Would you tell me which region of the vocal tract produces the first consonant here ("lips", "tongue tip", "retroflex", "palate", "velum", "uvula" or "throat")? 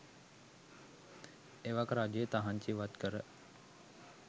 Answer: lips